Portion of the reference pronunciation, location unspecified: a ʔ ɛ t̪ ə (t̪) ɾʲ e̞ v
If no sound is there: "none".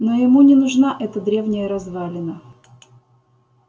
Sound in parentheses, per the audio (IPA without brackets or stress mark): d̪